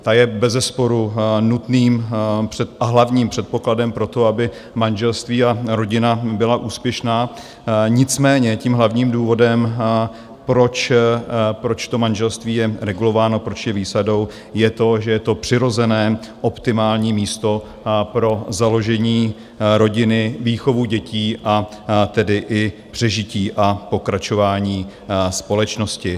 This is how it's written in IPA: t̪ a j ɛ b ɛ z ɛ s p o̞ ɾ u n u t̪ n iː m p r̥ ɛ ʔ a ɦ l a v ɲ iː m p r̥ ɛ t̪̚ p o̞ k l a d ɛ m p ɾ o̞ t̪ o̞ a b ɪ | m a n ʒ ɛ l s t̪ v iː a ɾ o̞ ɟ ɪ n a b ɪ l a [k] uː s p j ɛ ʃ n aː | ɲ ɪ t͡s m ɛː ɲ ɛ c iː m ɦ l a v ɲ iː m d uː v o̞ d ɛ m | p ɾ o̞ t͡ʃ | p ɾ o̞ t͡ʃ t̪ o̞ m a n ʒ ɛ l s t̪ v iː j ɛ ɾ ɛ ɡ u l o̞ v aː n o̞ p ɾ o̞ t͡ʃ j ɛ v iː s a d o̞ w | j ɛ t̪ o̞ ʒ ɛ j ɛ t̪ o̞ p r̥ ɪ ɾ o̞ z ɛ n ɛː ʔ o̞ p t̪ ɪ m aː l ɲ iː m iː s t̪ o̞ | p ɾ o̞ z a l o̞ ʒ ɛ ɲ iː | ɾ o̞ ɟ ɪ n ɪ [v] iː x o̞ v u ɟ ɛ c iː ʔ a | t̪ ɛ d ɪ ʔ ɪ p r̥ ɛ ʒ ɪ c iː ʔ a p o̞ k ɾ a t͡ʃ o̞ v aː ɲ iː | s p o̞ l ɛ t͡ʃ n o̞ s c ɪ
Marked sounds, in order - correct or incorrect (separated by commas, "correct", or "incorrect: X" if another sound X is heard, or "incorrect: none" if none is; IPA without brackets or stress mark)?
incorrect: ʔ, correct